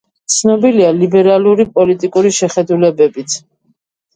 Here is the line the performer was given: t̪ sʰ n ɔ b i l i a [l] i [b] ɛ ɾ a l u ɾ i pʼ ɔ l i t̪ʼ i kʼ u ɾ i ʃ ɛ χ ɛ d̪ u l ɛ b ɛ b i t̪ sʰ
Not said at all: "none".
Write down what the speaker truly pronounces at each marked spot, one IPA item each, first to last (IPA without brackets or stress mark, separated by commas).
l, b